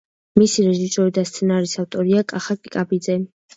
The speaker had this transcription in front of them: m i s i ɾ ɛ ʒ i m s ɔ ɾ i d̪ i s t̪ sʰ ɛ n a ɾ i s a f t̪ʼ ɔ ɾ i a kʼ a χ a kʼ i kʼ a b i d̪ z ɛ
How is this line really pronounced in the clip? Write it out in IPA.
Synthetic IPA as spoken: m i s i ɾ ɛ ʒ i s ɔ ɾ i d̪ a s t̪ sʰ ɛ n a ɾ i s a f t̪ʼ ɔ ɾ i a kʼ a χ a kʼ i kʼ a b i d̪ z ɛ

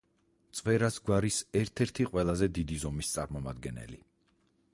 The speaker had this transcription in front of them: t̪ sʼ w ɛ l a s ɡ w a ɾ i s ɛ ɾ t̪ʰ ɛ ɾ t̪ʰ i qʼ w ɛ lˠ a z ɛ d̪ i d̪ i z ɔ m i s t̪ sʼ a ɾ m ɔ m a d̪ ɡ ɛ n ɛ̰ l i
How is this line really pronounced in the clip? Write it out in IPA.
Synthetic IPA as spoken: t̪ sʼ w ɛ ɾ a s ɡ w a ɾ i s ɛ ɾ t̪ʰ ɛ ɾ t̪ʰ i qʼ w ɛ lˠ a z ɛ d̪ i d̪ i z ɔ m i s t̪ sʼ a ɾ m ɔ m a d̪ ɡ ɛ n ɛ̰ l i

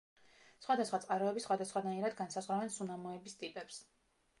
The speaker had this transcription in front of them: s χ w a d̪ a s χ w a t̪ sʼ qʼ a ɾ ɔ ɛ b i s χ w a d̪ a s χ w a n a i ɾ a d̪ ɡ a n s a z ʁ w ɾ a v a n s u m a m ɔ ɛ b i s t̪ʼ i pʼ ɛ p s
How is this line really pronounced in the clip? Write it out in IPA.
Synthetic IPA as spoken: s χ w a d̪ a s χ w a t̪ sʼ qʼ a ɾ ɔ ɛ b i s χ w a d̪ a s χ w a n a i ɾ a d̪ ɡ a n s a z ʁ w ɾ a v ɛ n s u n a m ɔ ɛ b i s t̪ʼ i pʼ ɛ p s

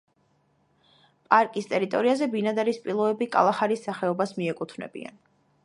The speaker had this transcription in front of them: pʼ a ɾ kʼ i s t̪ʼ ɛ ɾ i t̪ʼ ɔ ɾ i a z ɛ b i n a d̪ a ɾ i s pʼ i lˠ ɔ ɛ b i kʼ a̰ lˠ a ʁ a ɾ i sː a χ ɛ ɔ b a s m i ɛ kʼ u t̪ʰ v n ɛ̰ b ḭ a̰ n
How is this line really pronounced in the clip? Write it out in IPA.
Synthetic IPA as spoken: pʼ a ɾ kʼ i s t̪ʼ ɛ ɾ i t̪ʼ ɔ ɾ i a z ɛ b i n a d̪ a ɾ i s pʼ i lˠ ɔ ɛ b i kʼ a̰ lˠ a χ a ɾ i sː a χ ɛ ɔ b a s m i ɛ kʼ u t̪ʰ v n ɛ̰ b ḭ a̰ n

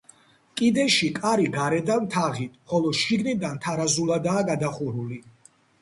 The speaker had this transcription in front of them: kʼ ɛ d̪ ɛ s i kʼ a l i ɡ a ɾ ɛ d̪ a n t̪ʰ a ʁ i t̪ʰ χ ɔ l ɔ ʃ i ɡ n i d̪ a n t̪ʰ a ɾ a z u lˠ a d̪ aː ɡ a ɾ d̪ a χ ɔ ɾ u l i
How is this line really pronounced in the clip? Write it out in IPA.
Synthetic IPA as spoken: kʼ i d̪ ɛ ʃ i kʼ a ɾ i ɡ a ɾ ɛ d̪ a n t̪ʰ a ʁ i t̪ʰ χ ɔ l ɔ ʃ i ɡ n i d̪ a n t̪ʰ a ɾ a z u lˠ a d̪ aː ɡ a d̪ a χ u ɾ u l i

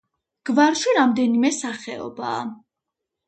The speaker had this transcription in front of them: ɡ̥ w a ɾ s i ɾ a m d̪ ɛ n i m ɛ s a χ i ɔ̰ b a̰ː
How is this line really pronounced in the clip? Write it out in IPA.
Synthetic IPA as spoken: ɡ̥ v a ɾ ʃ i ɾ a m d̪ ɛ n i m ɛ s a χ ɛ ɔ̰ b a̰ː

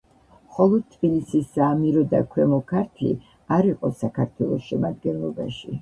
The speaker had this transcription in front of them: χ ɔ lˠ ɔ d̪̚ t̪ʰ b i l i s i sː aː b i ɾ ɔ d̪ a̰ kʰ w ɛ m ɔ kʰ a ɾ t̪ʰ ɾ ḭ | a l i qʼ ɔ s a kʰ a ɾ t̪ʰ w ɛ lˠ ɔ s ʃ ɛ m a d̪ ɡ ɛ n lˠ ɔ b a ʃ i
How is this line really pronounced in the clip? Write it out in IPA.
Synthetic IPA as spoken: χ ɔ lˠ ɔ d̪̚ t̪ʰ b i l i s i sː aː m i ɾ ɔ d̪ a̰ kʰ w ɛ m ɔ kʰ a ɾ t̪ʰ l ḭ | a ɾ i qʼ ɔ s a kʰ a ɾ t̪ʰ w ɛ lˠ ɔ s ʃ ɛ m a d̪ ɡ ɛ n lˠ ɔ b a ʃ i

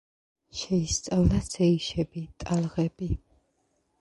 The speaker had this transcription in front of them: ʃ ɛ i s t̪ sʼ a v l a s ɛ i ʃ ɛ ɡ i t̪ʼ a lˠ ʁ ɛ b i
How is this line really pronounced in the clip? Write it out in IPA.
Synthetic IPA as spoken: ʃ ɛ i s t̪ sʼ a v l a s ɛ i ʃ ɛ b i t̪ʼ a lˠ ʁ ɛ b i

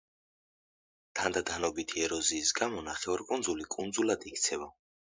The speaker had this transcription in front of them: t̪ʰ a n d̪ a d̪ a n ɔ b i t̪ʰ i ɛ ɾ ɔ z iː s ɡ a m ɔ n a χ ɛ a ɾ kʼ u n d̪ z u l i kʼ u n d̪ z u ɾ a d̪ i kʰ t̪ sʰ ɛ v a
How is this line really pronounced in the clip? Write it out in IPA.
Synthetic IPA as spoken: t̪ʰ a n d̪ a d̪ a n ɔ b i t̪ʰ i ɛ ɾ ɔ z iː s ɡ a m ɔ n a χ ɛ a ɾ kʼ u n d̪ z u l i kʼ u n d̪ z u l a d̪ i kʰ t̪ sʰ ɛ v a

